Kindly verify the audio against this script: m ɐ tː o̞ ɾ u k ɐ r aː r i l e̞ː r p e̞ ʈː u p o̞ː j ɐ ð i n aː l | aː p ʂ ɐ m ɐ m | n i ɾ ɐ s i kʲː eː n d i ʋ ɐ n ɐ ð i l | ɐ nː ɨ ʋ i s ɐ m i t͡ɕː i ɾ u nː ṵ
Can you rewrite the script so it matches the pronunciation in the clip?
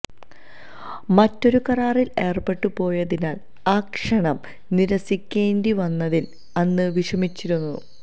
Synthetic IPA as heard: m ɐ tː o̞ ɾ u k ɐ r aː r i l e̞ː r p e̞ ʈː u p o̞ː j ɐ ð i n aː l | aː k ʂ ɐ ɳ ɐ m | n i ɾ ɐ s i kʲː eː n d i ʋ ɐ nː ɐ ð i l | ɐ nː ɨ ʋ i ʂ ɐ m i t͡ɕː i ɾ u nː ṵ